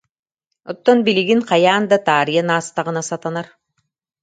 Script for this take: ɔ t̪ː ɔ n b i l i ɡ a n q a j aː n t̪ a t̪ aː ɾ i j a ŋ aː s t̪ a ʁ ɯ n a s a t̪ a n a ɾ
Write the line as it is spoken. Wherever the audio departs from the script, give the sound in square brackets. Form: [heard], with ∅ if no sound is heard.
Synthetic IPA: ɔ t̪ː ɔ n b i l i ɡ [i] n q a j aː n [d̪] a t̪ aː ɾ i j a [n] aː s t̪ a ʁ ɯ n a s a t̪ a n a ɾ